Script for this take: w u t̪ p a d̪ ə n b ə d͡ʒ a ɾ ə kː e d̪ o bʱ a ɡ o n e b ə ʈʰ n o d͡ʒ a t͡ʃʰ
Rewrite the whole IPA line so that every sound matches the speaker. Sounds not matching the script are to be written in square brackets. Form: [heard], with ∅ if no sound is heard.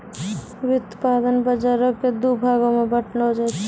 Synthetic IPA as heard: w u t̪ p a d̪ ə n b ə d͡ʒ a ɾ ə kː e d̪ [u] bʱ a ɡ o [m] e b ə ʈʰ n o d͡ʒ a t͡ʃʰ